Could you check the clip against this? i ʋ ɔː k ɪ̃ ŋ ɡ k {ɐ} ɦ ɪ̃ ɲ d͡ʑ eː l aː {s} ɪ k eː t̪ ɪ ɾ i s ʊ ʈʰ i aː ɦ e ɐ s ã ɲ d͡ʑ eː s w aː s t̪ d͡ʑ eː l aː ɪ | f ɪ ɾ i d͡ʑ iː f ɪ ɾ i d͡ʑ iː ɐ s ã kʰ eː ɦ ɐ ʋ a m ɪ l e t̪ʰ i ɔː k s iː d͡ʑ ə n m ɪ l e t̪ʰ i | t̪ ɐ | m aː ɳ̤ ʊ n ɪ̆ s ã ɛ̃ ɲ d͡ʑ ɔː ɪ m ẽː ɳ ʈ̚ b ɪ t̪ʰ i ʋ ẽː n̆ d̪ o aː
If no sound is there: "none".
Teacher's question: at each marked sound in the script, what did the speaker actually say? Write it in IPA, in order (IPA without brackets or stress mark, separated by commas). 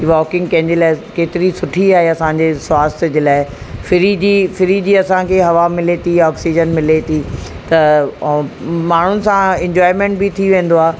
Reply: ɐ̃, none